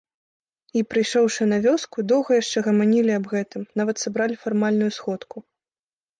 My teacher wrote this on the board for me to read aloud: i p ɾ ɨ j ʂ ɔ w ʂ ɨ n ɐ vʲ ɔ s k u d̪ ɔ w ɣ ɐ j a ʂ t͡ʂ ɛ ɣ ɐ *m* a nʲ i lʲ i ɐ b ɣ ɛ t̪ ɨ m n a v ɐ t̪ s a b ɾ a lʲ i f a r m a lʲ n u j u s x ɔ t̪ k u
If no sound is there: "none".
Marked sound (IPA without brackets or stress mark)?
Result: m